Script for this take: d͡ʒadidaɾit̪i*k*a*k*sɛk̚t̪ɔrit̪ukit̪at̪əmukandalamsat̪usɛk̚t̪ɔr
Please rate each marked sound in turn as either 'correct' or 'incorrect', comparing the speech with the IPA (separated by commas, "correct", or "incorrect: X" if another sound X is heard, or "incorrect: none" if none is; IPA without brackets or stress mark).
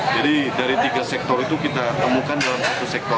incorrect: ɡ, incorrect: none